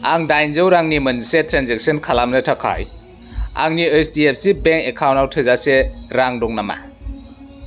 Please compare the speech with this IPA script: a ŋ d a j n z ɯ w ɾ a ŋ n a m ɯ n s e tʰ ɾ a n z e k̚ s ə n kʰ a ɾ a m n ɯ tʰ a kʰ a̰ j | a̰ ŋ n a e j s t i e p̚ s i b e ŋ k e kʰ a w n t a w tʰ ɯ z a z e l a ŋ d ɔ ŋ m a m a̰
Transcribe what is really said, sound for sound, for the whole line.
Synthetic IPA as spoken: a ŋ d a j n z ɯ w ɾ a ŋ n i m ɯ n s e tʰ ɾ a n z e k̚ s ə n kʰ a l a m n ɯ tʰ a kʰ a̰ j | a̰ ŋ n i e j s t i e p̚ s i b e ŋ k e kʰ a w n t a w tʰ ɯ z a s e ɾ a ŋ d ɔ ŋ n a m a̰